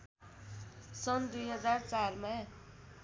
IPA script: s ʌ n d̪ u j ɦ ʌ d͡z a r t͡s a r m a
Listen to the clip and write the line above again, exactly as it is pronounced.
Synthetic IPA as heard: s ʌ n d̪ u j ɦ ʌ d͡z a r t͡s a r m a